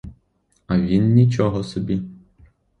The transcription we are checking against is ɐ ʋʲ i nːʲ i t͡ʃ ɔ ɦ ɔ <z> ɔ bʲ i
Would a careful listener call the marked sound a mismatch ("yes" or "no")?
yes